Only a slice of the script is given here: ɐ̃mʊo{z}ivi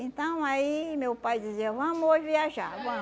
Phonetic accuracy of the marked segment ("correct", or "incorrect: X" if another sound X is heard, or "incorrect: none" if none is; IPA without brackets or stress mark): incorrect: ʒ